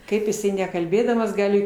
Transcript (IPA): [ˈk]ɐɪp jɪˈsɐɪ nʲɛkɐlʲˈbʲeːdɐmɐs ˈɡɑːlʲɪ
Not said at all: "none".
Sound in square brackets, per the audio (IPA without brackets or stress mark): k